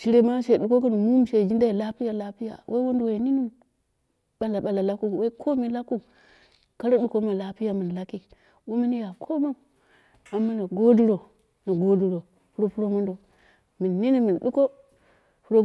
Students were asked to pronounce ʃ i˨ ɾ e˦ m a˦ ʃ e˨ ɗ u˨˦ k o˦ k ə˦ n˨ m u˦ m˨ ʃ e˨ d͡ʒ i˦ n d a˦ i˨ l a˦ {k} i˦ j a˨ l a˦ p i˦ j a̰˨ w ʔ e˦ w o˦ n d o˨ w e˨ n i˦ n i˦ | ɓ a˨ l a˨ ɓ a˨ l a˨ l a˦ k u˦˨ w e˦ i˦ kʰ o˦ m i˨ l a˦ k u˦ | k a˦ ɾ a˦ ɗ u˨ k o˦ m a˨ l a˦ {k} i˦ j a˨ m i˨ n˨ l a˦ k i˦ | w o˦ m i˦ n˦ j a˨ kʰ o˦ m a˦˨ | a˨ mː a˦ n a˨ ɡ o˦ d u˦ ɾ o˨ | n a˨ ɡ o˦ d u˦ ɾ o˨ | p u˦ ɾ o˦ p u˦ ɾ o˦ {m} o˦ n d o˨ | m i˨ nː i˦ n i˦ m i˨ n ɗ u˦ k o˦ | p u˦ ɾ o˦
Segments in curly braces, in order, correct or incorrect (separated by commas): incorrect, incorrect, correct